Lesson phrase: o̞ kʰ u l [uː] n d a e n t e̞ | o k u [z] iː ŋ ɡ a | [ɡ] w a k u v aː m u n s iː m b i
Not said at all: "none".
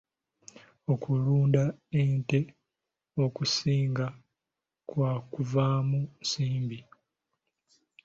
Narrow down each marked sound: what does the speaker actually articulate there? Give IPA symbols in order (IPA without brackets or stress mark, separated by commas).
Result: uː, s, k